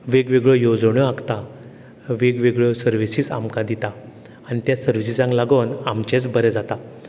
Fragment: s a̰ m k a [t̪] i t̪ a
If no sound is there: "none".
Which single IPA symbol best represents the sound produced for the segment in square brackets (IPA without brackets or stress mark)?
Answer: d̪